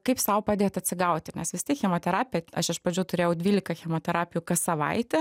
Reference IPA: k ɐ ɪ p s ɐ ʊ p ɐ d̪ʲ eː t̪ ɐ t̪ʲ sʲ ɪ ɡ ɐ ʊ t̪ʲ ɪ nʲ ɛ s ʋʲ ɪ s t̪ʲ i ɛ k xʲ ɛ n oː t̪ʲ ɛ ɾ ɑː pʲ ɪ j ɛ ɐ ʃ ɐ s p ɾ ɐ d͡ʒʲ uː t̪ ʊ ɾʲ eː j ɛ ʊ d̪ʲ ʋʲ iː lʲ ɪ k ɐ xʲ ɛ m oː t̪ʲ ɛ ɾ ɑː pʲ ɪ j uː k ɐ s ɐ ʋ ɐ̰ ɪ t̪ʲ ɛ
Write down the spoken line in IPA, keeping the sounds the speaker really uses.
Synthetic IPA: k ɐ ɪ p s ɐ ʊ p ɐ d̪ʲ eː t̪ ɐ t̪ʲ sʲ ɪ ɡ ɐ ʊ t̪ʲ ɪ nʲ ɛ s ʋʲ ɪ s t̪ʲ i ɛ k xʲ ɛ m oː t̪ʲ ɛ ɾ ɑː pʲ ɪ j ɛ ɐ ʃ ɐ ʃ p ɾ ɐ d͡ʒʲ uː t̪ ʊ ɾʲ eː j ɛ ʊ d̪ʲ ʋʲ iː lʲ ɪ k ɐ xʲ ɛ m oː t̪ʲ ɛ ɾ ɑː pʲ ɪ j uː k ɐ s ɐ ʋ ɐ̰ ɪ t̪ʲ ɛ

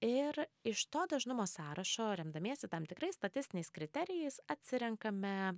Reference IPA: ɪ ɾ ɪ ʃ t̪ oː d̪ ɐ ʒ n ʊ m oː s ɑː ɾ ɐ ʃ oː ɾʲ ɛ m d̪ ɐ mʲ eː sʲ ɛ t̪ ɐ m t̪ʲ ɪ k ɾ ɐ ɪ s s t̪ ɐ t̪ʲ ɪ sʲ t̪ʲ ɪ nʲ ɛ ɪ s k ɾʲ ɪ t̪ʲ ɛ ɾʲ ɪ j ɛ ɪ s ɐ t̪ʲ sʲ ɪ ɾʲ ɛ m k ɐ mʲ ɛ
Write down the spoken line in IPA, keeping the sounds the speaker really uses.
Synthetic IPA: ɪ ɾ ɪ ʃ t̪ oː d̪ ɐ ʒ n ʊ m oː s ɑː ɾ ɐ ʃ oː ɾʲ ɛ m d̪ ɐ mʲ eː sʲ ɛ t̪ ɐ m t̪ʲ ɪ k ɾ ɐ ɪ s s t̪ ɐ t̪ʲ ɪ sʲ t̪ʲ ɪ nʲ ɛ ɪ s k ɾʲ ɪ t̪ʲ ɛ ɾʲ ɪ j ɛ ɪ s ɐ t̪ʲ sʲ ɪ ɾʲ ɛ ŋ k ɐ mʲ ɛ

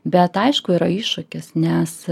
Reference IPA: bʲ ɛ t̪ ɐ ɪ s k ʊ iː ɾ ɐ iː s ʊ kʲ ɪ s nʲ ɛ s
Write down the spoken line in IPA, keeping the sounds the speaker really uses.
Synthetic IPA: bʲ ɛ t̪ ɐ ɪ ʃ k ʊ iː ɾ ɐ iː ʃ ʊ kʲ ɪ s nʲ ɛ s

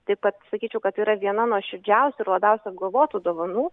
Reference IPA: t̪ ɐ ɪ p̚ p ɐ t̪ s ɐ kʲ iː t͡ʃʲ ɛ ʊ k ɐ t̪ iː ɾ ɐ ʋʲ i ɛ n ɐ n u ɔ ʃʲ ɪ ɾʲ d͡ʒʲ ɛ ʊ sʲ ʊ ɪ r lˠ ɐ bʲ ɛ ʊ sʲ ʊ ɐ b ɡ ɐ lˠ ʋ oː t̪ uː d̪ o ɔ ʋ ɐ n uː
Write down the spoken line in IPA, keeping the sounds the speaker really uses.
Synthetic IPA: t̪ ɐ ɪ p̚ k ɐ t̪ s ɐ kʲ iː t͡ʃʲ ɛ ʊ k ɐ t̪ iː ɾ ɐ ʋʲ i ɛ n ɐ n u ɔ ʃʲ ɪ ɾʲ d͡ʒʲ ɛ ʊ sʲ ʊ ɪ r lˠ ɐ bʲ ɛ ʊ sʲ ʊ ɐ b ɡ ɐ lˠ ʋ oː t̪ uː d̪ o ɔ ʋ ɐ n uː

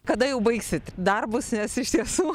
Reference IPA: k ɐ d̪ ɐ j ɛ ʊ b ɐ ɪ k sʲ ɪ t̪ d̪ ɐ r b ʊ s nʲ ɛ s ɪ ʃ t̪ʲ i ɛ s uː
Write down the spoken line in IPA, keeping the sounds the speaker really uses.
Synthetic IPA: k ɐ d̪ ɐ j ɛ ʊ b ɐ ɪ k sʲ ɪ t̪ d̪ ɐ r b ʊ s nʲ ɛ s ɪ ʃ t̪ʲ i ɛ s uː

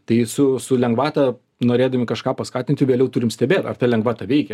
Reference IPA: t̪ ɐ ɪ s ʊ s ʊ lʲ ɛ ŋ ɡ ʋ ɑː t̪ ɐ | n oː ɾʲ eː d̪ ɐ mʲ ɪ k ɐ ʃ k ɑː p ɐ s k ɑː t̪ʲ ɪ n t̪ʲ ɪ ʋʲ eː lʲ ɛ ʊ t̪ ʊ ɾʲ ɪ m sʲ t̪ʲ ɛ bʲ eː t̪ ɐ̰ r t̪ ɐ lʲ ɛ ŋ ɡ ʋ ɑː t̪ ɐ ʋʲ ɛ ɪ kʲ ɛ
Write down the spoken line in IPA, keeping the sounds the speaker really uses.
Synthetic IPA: t̪ ɐ ɪ s ʊ s ʊ lʲ ɛ ŋ ɡ ʋ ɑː t̪ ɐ | n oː ɾʲ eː d̪ ɐ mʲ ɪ k ɐ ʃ k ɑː p ɐ s k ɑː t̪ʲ ɪ n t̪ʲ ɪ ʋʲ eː lʲ ɛ ʊ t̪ ʊ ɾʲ ɪ m sʲ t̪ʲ ɛ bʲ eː t̪ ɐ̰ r t̪ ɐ lʲ ɛ ŋ ɡ ʋ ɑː t̪ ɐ ʋʲ ɛ ɪ kʲ ɛ

